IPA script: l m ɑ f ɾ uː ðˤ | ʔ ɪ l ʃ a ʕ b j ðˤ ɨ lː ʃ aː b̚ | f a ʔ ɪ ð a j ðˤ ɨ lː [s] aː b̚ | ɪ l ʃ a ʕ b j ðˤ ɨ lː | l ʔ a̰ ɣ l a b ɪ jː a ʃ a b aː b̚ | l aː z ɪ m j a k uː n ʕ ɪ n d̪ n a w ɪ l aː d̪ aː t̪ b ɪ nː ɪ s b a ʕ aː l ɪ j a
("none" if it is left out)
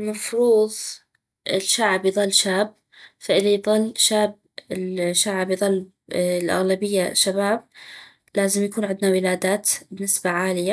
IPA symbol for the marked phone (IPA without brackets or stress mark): ʃ